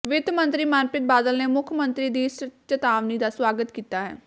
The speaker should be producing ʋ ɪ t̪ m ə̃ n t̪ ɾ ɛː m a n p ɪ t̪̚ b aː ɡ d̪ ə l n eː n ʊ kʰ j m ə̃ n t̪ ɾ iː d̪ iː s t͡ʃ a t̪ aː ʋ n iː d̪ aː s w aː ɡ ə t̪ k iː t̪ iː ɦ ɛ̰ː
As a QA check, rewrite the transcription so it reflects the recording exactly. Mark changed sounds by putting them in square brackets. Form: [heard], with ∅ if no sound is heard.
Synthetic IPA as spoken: ʋ ɪ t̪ m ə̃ n t̪ ɾ [iː] m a n p ɪ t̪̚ b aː [∅] d̪ ə l n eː [m] ʊ kʰ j m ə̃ n t̪ ɾ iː d̪ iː s t͡ʃ [ə] t̪ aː ʋ n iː d̪ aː s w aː ɡ ə t̪ k iː t̪ [aː] ɦ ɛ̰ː